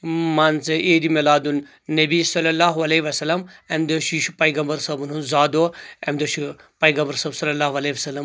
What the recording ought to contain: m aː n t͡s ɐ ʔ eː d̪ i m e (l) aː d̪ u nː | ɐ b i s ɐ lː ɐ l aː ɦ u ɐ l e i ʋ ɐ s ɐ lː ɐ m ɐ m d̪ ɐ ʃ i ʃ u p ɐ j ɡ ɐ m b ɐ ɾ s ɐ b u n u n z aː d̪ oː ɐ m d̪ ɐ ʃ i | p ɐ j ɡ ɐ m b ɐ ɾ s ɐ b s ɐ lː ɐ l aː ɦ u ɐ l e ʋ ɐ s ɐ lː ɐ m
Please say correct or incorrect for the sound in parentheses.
correct